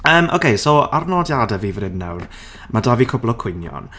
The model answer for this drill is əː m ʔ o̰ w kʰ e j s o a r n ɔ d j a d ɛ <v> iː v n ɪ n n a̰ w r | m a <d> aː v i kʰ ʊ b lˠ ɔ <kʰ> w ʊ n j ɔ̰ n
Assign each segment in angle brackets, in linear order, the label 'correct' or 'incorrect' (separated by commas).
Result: correct, correct, correct